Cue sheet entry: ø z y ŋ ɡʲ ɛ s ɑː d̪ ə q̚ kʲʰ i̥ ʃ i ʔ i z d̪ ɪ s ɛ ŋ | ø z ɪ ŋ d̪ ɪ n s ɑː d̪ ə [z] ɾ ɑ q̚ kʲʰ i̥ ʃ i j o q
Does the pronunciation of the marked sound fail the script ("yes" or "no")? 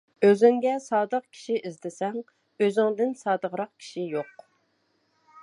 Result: yes